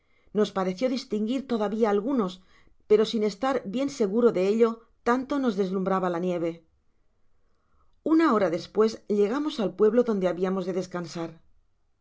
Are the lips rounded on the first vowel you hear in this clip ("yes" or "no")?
yes